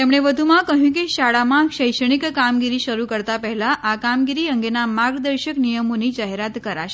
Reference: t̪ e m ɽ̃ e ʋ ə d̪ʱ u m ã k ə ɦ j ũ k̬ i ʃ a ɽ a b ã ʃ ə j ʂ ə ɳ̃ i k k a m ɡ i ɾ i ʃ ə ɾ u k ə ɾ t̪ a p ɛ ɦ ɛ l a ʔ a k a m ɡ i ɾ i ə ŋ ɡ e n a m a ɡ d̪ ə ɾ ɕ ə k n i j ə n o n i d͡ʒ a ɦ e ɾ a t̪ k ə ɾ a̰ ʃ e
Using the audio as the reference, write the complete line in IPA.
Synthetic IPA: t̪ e m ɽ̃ e ʋ ə d̪ʱ u m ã k ə ɦ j ũ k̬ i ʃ a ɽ a m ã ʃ ə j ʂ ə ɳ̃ i k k a m ɡ i ɾ i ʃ ə ɾ u k ə ɾ t̪ a p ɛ ɦ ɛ l a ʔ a k a m ɡ i ɾ i ə ŋ ɡ e n a m a ɡ d̪ ə ɾ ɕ ə k n i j ə m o n i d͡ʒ a ɦ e ɾ a t̪ k ə ɾ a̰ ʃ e